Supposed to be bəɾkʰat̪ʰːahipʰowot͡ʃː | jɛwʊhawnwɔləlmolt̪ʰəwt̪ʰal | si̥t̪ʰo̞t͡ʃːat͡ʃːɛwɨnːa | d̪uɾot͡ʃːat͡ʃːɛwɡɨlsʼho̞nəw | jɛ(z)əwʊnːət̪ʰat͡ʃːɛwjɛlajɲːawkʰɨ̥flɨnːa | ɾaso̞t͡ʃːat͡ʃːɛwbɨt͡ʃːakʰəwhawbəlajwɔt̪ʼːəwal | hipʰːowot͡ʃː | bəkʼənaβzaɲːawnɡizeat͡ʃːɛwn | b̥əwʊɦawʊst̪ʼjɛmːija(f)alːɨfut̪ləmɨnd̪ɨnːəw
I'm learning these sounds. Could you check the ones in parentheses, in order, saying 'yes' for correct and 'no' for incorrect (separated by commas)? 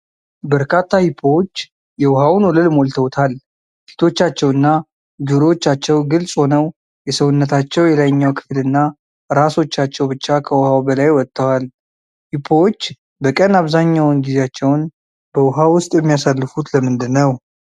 no, no